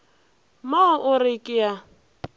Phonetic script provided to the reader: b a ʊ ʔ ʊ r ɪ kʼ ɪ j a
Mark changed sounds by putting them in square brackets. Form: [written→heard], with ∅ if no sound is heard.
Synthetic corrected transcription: [b→m] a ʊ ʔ ʊ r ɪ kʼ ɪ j a